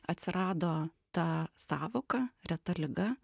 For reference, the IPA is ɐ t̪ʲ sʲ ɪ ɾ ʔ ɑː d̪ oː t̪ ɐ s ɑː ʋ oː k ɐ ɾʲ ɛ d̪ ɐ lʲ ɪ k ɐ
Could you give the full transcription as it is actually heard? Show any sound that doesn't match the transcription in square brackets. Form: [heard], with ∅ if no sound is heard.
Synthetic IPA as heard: ɐ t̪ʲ sʲ ɪ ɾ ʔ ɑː d̪ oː t̪ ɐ s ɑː ʋ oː k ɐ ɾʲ ɛ [t̪] ɐ lʲ ɪ [ɡ] ɐ